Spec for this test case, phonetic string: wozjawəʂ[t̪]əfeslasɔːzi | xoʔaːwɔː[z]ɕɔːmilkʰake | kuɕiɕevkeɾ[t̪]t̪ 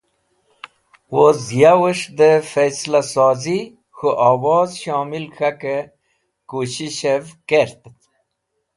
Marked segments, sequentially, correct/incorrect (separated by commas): incorrect, correct, correct